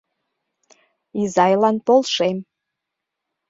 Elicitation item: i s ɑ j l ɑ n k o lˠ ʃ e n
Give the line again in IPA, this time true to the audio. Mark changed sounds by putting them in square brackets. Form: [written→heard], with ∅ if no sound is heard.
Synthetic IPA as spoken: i [s→z] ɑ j l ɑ n [k→p] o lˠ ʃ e [n→m]